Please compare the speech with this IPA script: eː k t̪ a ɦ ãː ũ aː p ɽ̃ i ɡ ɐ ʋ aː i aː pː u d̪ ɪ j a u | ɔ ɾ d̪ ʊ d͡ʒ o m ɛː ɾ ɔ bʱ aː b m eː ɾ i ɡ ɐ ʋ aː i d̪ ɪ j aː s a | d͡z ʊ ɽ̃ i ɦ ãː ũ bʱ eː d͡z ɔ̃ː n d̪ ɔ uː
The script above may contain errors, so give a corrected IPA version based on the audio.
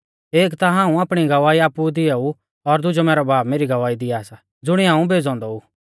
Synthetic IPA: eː k t̪ a ɦ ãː ũ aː p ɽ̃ i ɡ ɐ ʋ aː i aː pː u d̪ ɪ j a u | ɔ ɾ d̪ ʊ d͡ʒ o m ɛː ɾ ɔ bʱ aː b m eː ɾ i ɡ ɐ ʋ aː i d̪ ɪ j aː s a | d͡z ʊ ɽ̃ i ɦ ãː ũ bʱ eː d͡z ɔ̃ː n d̪ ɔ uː